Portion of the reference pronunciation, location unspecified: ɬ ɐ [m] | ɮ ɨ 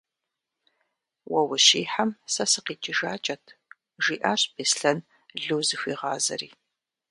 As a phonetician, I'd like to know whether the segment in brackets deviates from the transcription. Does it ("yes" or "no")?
yes